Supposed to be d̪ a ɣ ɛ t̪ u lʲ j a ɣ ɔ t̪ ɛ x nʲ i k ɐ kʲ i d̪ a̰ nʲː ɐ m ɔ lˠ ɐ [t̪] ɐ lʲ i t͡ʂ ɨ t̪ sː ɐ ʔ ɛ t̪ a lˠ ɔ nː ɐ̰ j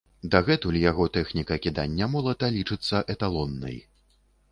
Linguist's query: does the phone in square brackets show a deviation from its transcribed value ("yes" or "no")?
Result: no